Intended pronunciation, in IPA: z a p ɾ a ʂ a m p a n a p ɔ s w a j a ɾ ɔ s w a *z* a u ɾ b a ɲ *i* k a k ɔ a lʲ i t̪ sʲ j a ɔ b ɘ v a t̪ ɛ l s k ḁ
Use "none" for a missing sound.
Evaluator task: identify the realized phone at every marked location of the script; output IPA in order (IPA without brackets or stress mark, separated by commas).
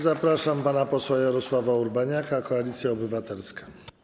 v, a